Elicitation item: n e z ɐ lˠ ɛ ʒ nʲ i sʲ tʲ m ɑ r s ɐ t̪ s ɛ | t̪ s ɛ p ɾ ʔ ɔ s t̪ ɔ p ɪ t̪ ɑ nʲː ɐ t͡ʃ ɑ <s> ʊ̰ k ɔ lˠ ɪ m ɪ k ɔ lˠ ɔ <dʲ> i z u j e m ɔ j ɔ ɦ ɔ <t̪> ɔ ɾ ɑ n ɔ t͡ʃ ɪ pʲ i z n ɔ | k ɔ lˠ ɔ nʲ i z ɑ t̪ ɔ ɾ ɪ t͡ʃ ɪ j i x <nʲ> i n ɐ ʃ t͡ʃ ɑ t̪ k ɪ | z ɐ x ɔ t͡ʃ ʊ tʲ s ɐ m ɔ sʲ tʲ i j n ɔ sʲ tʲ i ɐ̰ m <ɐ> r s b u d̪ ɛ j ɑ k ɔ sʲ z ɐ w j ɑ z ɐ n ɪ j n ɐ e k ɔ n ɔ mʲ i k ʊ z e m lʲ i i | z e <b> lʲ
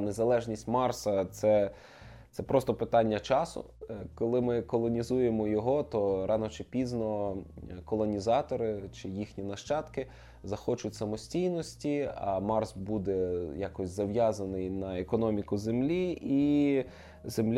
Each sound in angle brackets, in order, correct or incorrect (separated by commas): correct, incorrect, correct, correct, incorrect, incorrect